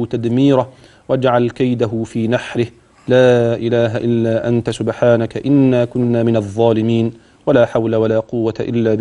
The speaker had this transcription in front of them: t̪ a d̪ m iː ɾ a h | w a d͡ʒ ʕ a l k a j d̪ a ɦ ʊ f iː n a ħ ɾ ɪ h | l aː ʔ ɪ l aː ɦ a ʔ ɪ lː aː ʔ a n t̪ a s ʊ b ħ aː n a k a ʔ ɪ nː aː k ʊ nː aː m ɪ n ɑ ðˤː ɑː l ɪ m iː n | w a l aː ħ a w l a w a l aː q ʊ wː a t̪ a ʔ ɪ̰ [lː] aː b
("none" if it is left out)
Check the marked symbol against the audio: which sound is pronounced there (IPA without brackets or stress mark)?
lː